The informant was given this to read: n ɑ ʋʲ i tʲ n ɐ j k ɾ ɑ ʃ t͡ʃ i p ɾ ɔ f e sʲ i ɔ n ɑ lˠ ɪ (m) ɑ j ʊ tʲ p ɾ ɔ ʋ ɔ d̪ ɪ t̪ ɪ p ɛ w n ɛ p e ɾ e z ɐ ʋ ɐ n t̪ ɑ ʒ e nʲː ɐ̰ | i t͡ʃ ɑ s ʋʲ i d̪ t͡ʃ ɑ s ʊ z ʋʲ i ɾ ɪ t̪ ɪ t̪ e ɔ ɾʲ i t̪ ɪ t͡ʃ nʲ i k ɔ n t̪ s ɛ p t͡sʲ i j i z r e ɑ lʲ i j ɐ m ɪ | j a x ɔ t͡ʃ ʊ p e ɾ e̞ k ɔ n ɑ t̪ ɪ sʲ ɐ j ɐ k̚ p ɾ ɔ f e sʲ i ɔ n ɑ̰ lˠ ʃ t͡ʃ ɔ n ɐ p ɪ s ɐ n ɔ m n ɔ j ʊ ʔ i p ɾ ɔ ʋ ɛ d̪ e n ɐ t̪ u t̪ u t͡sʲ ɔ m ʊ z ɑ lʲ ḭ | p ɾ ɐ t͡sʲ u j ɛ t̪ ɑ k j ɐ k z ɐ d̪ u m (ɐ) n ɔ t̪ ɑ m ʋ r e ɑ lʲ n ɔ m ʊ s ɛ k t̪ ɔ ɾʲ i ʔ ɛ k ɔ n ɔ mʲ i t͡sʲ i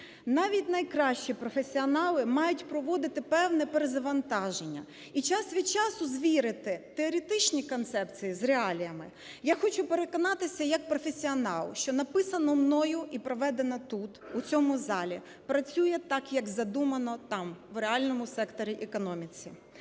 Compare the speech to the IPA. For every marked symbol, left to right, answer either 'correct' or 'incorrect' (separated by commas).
correct, correct